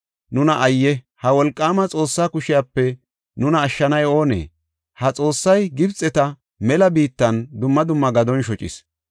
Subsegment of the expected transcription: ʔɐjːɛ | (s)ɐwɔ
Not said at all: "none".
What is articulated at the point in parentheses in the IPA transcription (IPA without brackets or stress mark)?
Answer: h